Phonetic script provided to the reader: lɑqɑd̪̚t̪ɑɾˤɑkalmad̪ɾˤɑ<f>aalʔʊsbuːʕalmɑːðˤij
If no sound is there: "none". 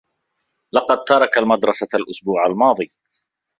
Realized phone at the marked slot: s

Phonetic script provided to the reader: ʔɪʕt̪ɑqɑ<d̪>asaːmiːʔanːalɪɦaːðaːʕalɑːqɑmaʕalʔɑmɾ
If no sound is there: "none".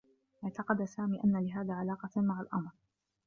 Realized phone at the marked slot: d̪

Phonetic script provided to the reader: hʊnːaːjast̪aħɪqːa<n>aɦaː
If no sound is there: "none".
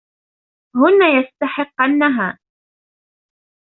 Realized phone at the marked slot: nː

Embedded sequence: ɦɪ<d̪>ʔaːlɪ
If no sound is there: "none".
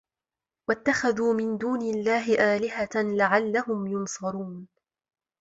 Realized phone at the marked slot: none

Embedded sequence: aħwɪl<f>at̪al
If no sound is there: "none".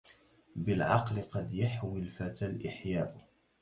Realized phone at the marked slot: f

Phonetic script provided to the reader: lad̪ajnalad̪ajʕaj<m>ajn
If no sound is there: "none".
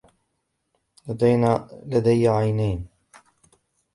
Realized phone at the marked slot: n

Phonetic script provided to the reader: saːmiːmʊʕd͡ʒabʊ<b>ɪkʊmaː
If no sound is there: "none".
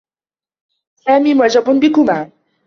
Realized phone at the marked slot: b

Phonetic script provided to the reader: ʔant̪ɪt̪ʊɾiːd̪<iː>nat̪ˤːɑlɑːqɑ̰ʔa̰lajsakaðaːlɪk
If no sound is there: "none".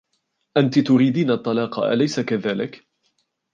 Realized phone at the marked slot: iː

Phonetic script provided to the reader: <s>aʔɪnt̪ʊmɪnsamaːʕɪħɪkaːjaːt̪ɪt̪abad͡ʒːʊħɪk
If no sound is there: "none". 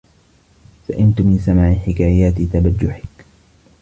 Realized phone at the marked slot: s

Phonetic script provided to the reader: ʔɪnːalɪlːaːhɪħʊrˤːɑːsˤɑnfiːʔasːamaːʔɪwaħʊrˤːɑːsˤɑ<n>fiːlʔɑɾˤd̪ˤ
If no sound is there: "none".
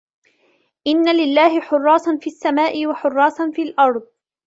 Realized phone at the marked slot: n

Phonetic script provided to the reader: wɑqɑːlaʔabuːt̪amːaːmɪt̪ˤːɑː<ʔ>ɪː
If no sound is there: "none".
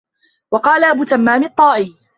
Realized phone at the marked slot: ʔ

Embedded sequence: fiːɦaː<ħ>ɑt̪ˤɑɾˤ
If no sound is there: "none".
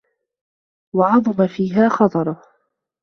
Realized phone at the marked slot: x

